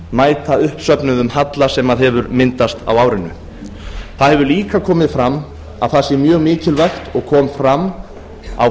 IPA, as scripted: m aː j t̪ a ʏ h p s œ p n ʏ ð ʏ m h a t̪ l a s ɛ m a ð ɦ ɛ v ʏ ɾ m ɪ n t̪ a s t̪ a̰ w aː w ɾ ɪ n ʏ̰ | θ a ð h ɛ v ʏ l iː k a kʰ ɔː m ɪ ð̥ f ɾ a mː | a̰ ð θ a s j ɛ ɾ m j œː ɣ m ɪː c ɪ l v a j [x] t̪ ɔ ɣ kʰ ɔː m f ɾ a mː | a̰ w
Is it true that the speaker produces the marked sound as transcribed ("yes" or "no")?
yes